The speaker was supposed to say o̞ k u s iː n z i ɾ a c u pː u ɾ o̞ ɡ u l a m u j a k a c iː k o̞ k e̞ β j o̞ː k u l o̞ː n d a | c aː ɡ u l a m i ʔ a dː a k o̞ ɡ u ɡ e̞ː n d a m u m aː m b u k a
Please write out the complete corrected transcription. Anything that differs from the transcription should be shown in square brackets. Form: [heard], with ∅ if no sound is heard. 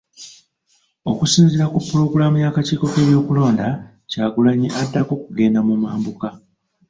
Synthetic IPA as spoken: o̞ k u s iː n z i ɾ a [k] u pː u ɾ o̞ ɡ u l a m u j a k a c iː k o̞ k e̞ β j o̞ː k u l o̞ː n d a | c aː ɡ u l a [ɲ] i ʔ a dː a k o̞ [k] u ɡ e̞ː n d a m u m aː m b u k a